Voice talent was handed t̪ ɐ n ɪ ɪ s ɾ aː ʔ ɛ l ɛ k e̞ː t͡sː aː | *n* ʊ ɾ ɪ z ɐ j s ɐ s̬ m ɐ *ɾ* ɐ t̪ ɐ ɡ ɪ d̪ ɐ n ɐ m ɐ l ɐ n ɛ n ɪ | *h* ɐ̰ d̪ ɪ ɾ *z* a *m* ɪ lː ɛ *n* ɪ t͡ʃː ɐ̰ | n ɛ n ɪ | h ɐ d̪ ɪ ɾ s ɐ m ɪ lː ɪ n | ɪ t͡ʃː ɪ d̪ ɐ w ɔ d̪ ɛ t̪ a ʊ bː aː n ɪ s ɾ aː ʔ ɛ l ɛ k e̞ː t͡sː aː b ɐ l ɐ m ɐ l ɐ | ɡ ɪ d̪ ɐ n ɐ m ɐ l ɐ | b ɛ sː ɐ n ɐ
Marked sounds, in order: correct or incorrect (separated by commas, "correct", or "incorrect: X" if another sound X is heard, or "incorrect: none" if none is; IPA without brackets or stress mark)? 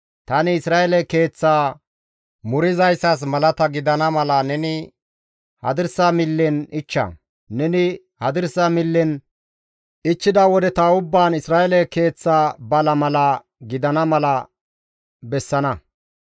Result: incorrect: m, incorrect: l, correct, incorrect: s, correct, correct